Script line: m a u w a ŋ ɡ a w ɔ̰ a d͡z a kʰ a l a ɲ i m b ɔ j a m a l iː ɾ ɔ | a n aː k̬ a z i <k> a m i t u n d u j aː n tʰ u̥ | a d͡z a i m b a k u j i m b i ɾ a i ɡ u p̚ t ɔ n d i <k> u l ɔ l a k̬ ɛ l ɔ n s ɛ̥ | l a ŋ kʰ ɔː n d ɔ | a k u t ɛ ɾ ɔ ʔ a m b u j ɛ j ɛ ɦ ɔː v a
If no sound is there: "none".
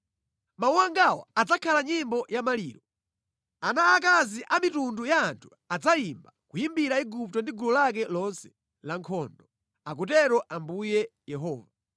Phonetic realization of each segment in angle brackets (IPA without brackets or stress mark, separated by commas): ʔ, ɡ